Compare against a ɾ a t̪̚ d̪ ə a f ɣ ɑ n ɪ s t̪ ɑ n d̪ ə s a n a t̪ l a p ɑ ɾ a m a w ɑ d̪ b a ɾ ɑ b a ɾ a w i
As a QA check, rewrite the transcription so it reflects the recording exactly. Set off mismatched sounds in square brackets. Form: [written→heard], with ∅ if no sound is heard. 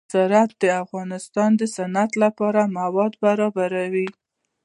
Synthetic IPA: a ɾ a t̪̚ d̪ ə a f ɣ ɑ n ɪ s t̪ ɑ n d̪ ə s a n a t̪ l a p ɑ ɾ a m a w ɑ d̪ b a ɾ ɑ b a ɾ a w i